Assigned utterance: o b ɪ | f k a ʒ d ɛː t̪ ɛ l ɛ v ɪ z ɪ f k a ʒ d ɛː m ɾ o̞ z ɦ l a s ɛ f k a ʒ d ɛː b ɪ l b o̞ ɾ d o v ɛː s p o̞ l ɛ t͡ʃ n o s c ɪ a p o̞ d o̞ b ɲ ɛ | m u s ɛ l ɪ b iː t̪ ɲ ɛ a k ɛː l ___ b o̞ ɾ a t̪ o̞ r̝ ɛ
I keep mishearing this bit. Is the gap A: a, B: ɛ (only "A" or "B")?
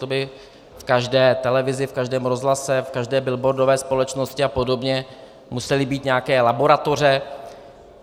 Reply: A